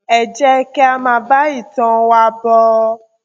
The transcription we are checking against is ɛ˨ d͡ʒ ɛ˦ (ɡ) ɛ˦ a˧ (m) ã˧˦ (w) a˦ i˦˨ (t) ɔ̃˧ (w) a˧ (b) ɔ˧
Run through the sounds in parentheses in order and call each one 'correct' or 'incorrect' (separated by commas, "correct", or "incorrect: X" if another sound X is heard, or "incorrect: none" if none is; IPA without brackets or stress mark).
incorrect: k, correct, incorrect: b, correct, correct, correct